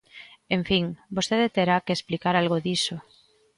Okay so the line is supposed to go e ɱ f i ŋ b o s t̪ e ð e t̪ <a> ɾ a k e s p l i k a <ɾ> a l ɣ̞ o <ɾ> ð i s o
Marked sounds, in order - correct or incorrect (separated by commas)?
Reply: incorrect, correct, incorrect